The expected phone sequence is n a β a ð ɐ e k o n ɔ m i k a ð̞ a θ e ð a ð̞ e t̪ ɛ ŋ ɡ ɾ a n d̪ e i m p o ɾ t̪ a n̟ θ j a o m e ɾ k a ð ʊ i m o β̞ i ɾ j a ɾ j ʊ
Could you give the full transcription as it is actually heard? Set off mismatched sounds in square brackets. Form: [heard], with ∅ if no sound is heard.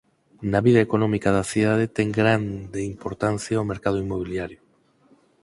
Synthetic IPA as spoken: n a β [i] ð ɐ e k o n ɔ m i k a ð̞ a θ [i] ð a ð̞ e t̪ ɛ ŋ ɡ ɾ a n d̪ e i m p o ɾ t̪ a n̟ θ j a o m e ɾ k a ð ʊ i m o β̞ i [l] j a ɾ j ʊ